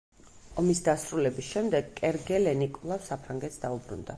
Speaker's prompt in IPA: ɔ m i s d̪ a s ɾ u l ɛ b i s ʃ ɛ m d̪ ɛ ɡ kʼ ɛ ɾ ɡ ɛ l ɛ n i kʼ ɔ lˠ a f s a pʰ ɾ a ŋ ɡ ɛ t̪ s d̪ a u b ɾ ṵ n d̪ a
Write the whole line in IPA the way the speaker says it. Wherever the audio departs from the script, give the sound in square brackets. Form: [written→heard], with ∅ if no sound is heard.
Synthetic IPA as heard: ɔ m i s d̪ a s ɾ u l ɛ b i s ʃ ɛ m d̪ ɛ ɡ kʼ ɛ ɾ ɡ ɛ l ɛ n i kʼ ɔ lˠ a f s a pʰ ɾ a ŋ ɡ ɛ t̪ s d̪ a u b ɾ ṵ n d̪ a